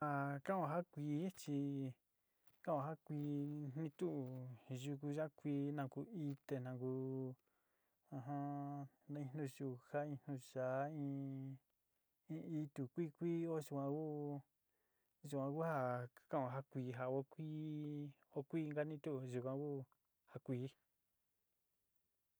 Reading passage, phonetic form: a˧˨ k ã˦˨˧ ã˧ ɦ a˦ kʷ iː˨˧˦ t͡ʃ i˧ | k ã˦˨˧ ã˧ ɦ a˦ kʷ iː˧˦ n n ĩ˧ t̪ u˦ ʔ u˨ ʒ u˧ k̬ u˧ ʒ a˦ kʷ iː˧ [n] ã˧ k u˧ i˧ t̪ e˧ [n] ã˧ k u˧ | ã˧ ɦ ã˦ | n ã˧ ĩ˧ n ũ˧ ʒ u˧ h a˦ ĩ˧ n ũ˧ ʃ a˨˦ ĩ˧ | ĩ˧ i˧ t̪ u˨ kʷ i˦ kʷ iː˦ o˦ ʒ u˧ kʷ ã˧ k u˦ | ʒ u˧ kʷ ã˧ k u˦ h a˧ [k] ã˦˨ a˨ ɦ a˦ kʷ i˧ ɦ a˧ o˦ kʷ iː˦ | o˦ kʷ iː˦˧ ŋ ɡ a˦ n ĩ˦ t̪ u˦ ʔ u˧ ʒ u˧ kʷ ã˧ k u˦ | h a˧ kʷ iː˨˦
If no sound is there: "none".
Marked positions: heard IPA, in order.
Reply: n, n, k

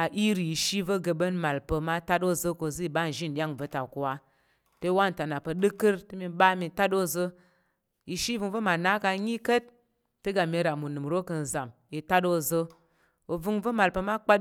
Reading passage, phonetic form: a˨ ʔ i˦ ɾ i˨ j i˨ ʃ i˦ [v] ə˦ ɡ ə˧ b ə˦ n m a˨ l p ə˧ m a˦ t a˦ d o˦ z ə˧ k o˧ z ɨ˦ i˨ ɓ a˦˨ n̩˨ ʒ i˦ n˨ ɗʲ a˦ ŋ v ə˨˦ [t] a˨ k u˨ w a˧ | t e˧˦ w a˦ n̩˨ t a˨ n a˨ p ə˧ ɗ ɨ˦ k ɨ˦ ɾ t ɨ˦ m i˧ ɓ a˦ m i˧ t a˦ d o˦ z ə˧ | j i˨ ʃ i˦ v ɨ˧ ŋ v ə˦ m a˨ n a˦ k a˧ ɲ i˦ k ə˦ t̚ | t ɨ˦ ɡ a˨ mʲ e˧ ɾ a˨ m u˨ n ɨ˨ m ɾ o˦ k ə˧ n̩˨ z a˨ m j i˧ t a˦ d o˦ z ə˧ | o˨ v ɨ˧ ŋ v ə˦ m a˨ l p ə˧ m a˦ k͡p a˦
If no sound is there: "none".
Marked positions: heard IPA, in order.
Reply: v, t

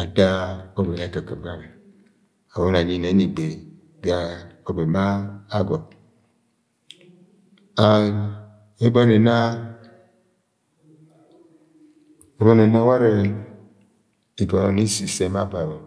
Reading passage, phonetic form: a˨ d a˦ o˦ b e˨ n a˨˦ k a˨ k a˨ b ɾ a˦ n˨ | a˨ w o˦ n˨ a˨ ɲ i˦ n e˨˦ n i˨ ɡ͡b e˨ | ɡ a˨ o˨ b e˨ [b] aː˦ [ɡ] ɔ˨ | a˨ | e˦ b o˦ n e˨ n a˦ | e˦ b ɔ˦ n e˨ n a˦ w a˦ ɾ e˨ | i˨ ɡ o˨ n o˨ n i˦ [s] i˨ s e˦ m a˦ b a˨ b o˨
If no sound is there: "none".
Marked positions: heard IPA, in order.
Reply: m, ɡ, s

